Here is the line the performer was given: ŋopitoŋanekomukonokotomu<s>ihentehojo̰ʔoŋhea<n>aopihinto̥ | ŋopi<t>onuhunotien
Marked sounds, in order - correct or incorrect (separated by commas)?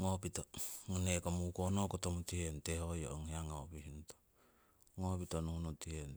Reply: incorrect, incorrect, correct